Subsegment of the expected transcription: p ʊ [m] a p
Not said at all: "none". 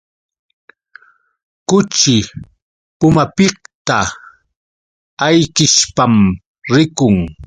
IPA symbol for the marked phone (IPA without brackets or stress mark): m